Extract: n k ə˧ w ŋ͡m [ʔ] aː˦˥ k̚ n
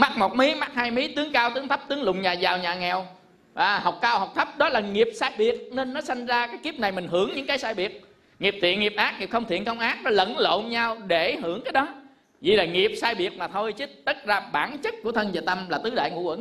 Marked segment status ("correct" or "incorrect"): correct